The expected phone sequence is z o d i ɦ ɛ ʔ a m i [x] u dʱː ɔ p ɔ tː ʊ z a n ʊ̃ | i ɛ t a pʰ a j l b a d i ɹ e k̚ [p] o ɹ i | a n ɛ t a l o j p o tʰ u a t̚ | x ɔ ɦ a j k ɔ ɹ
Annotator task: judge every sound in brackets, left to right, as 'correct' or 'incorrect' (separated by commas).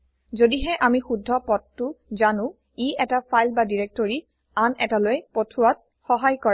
correct, incorrect